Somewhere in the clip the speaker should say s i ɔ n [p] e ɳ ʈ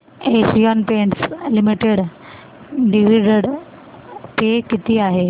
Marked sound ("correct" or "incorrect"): correct